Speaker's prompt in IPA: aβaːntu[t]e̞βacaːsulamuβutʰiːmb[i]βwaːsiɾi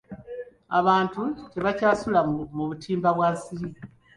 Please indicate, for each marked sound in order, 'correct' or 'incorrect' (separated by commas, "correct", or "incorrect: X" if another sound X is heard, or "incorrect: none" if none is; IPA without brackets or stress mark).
incorrect: c, incorrect: a